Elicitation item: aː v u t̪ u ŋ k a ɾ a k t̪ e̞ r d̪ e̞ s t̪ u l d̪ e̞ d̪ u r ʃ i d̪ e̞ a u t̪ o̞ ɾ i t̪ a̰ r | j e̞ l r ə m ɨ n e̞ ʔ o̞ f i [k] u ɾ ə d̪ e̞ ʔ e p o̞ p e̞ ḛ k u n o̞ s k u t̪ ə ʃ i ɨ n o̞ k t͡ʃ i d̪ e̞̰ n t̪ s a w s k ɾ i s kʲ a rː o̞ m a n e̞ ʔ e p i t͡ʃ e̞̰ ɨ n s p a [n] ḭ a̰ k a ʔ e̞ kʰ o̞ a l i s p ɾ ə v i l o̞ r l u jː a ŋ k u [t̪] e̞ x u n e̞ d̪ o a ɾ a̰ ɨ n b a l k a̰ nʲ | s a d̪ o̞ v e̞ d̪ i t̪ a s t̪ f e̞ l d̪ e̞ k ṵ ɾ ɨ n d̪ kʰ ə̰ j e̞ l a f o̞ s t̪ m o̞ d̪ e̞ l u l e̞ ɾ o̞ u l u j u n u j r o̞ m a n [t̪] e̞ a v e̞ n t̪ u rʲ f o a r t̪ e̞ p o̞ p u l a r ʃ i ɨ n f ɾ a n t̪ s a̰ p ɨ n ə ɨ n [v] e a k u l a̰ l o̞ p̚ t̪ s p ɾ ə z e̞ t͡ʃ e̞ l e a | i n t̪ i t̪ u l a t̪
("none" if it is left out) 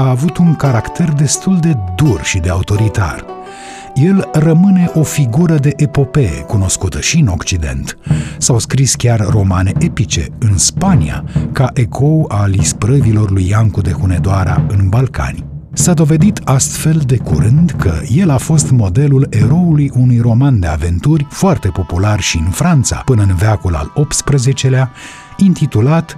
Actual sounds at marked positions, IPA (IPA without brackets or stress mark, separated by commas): ɡ, n, d̪, d̪, v